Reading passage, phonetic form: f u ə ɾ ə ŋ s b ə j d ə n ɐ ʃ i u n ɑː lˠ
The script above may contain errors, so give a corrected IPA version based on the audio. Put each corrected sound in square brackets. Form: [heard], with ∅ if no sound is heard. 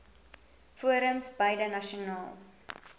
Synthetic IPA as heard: f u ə ɾ ə [m] s b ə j d ə n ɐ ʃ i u n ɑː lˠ